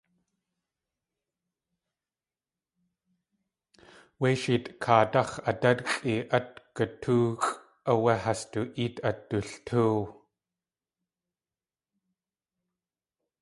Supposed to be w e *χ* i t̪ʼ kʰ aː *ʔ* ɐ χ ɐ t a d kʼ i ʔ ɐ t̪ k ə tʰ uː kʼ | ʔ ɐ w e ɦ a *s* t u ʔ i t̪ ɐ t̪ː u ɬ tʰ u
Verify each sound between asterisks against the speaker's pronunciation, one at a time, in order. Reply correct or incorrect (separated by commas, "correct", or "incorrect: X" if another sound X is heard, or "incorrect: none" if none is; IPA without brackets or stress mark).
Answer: incorrect: ʃ, incorrect: t, correct